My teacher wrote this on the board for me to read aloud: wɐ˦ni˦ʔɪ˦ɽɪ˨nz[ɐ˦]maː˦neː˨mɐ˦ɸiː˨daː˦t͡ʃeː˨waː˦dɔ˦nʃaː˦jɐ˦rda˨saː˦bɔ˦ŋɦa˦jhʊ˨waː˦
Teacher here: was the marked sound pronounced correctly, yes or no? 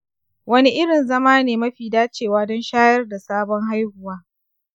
yes